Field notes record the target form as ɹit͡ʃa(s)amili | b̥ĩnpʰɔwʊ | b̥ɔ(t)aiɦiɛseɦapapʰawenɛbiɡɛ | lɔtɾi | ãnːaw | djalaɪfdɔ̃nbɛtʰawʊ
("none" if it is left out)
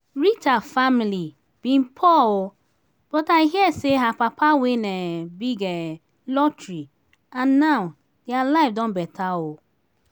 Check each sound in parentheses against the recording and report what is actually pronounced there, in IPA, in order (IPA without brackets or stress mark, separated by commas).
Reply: f, t